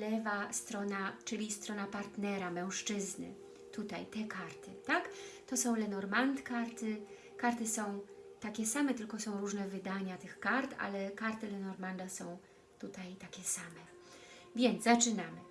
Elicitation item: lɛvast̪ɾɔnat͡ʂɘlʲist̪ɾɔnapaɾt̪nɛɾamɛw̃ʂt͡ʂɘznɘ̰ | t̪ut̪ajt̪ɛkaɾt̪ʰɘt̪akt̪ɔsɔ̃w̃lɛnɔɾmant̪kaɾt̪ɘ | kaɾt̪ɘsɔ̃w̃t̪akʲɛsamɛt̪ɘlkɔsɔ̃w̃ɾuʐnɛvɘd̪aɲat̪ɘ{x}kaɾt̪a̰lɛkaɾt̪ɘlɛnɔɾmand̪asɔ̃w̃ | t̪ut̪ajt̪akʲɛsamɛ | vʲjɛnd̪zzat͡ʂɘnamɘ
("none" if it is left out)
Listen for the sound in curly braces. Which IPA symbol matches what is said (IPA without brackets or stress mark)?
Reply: x